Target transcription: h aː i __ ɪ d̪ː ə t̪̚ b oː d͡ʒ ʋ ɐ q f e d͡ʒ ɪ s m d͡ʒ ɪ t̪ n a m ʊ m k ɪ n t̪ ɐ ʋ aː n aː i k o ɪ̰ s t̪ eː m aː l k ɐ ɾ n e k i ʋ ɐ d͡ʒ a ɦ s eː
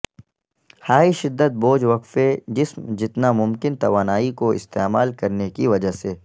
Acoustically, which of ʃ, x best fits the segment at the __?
ʃ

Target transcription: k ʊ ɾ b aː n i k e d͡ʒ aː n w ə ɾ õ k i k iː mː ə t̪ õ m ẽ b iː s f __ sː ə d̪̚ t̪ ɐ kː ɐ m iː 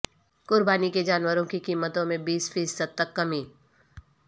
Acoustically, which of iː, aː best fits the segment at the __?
iː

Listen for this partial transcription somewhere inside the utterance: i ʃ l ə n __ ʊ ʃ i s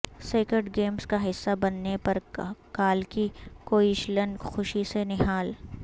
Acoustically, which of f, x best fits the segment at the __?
x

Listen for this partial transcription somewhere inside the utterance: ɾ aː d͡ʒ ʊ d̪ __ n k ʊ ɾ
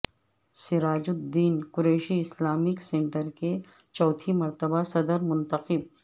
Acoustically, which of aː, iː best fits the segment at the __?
iː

